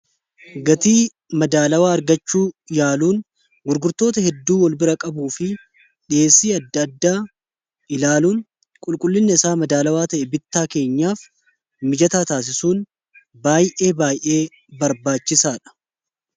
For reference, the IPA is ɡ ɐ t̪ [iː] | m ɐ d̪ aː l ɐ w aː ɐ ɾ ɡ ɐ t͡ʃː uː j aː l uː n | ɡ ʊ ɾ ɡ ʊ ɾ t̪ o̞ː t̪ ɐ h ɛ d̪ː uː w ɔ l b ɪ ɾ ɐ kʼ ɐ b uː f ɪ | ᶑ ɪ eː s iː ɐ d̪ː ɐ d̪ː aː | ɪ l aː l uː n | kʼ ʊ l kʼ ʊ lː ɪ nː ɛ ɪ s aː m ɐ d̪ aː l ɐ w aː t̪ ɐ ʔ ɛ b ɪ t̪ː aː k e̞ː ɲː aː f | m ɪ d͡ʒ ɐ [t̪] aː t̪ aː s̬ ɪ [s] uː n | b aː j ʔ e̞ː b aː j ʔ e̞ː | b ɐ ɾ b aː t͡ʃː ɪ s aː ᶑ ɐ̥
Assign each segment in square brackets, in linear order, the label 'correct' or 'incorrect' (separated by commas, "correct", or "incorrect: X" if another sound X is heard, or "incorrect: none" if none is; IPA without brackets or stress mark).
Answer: correct, correct, correct